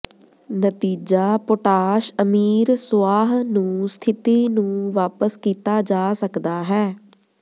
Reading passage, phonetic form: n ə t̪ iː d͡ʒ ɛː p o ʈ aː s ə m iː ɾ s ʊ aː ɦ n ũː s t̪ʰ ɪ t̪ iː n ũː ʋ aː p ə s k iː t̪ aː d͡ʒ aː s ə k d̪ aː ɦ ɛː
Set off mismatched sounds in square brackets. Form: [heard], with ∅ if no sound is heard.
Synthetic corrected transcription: n ə t̪ iː d͡ʒ [aː] p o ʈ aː [ʃ] ə m iː ɾ s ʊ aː ɦ n ũː s t̪ʰ ɪ t̪ iː n ũː ʋ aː p ə s k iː t̪ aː d͡ʒ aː s ə k d̪ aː ɦ ɛː